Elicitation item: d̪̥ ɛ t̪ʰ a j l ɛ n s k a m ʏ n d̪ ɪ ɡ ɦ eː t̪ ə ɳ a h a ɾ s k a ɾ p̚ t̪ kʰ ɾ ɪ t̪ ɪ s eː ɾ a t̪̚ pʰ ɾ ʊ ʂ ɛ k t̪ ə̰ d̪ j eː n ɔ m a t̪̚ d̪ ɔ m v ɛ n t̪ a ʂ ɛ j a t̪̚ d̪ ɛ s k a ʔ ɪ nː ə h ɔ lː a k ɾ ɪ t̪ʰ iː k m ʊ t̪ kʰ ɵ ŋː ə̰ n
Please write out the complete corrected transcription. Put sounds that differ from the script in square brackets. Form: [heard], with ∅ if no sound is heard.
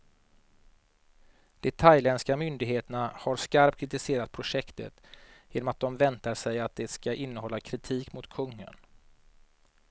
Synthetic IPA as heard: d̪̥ ɛ t̪ʰ a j l ɛ n s k a m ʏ n d̪ ɪ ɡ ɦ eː t̪ ə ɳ a h a ɾ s k a ɾ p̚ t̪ kʰ ɾ ɪ t̪ ɪ s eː ɾ a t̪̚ pʰ ɾ ʊ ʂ ɛ k t̪ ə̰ [t̪] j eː n ɔ m a t̪̚ d̪ ɔ m v ɛ n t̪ a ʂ ɛ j a t̪̚ d̪ ɛ s k a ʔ ɪ nː ə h ɔ lː a [kʰ] ɾ ɪ t̪ʰ iː k m ʊ t̪ kʰ ɵ ŋː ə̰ n